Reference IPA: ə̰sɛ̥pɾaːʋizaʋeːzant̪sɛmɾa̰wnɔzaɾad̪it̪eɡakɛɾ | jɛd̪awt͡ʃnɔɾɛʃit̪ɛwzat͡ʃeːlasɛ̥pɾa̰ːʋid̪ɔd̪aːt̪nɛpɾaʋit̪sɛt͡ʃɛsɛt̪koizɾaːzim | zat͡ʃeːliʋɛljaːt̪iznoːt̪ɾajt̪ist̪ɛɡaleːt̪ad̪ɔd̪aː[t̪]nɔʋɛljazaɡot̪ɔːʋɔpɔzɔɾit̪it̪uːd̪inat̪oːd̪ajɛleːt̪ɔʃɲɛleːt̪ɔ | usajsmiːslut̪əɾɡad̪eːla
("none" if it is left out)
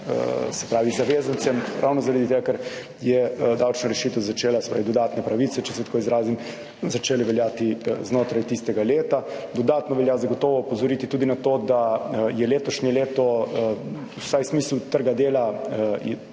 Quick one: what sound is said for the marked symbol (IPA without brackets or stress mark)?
t̪